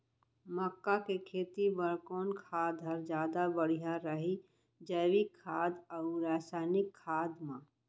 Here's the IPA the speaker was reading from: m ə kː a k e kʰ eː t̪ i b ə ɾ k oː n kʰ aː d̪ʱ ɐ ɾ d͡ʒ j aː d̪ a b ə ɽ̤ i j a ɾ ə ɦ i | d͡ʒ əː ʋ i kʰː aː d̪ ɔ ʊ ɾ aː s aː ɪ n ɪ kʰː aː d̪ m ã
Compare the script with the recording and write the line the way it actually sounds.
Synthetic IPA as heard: m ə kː a k e kʰ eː t̪ i b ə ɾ k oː n kʰ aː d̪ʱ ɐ ɾ d͡ʒ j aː d̪ a b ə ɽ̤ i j a ɾ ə ɦ i | d͡ʒ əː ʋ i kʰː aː d̪ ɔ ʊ ɾ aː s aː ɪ n ɪ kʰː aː d̪ m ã